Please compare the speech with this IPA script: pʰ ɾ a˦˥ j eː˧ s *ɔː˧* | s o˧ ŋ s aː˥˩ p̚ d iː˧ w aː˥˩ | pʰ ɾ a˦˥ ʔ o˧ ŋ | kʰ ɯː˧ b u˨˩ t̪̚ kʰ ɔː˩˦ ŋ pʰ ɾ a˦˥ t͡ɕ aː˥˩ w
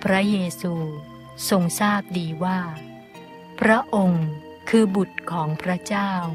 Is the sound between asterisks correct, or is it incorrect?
incorrect